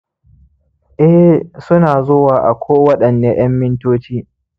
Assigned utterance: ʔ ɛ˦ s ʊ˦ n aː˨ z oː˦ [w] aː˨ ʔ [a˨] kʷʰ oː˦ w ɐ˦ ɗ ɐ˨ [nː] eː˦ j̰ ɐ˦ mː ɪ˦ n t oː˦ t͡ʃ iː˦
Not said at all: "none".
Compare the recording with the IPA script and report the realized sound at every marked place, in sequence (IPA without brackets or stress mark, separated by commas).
w, a˨, nː